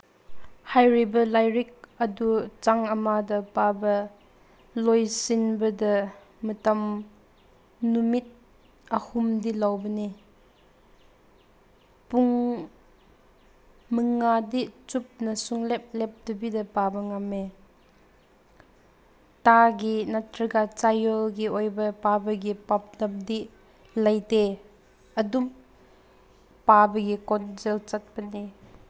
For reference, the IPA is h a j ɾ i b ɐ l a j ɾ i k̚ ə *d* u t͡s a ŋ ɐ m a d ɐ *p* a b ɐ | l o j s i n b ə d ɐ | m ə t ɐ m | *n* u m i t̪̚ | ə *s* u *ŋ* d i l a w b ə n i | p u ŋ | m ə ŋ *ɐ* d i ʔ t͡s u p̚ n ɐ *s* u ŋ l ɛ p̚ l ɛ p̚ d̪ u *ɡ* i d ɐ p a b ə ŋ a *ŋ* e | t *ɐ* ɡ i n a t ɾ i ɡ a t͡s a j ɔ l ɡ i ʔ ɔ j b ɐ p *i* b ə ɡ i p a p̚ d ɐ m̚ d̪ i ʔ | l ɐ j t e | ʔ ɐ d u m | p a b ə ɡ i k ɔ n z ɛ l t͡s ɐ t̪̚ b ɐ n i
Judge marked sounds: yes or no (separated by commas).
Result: yes, yes, yes, no, no, no, yes, no, no, no, no